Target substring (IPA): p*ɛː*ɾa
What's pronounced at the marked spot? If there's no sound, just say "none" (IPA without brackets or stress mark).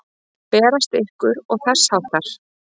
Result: ɛː